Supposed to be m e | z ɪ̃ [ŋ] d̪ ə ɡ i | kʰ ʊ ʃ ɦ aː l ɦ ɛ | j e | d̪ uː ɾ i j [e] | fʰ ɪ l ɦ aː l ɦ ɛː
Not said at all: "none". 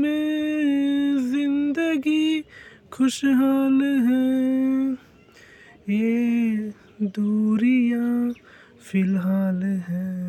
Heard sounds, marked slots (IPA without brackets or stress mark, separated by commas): n, a